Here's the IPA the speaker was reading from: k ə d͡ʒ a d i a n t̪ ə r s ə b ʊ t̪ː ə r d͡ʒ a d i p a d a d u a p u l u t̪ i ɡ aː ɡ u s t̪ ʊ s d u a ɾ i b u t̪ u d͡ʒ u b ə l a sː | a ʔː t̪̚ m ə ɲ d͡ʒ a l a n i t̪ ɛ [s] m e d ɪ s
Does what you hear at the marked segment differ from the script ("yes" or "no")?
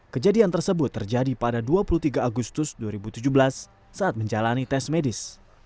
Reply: no